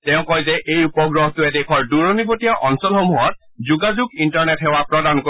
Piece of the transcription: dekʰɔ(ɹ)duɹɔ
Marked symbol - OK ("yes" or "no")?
yes